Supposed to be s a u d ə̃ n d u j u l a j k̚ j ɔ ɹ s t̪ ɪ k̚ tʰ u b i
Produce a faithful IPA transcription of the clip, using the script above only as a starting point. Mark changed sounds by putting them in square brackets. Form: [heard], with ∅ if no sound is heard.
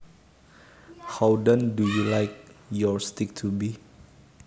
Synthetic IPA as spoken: [h] a [w] d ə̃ n d u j u l a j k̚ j ɔ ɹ s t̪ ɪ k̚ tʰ u b i